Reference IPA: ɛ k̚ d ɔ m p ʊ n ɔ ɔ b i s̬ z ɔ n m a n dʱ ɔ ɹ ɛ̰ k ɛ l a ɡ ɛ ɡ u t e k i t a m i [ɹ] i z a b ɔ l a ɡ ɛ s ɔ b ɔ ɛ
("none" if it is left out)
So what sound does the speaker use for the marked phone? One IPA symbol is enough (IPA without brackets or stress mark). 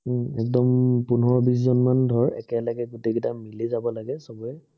l